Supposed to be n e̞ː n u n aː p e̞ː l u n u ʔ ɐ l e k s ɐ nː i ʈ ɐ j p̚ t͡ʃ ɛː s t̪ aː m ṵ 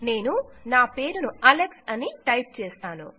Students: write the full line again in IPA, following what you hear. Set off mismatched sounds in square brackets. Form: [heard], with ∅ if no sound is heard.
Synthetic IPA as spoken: n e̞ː n u n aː p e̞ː [ɾ] u n u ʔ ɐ l e k s ɐ [n] i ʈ ɐ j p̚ t͡ʃ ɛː s t̪ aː [n] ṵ